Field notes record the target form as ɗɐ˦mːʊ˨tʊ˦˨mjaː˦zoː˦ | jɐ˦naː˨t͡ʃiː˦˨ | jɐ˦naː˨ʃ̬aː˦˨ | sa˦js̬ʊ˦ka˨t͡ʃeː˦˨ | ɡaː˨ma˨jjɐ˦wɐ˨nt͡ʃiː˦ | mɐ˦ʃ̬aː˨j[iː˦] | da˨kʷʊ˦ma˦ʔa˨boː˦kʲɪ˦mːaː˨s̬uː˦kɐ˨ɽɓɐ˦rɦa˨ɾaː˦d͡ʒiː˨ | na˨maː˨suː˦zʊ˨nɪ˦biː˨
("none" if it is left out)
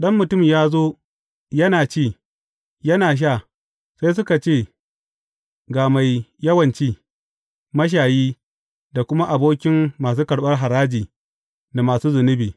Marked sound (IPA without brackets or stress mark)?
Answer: iː˦